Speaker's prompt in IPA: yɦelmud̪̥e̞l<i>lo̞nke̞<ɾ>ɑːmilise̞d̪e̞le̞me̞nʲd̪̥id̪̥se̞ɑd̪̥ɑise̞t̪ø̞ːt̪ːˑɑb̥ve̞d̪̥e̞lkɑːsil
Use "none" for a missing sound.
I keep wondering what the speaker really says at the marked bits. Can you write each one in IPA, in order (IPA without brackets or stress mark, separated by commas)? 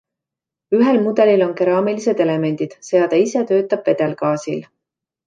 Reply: i, ɾ